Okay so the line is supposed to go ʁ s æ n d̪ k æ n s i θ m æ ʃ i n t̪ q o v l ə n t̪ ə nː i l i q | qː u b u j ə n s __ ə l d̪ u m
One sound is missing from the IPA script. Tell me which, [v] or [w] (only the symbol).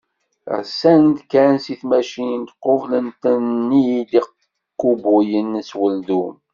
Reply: w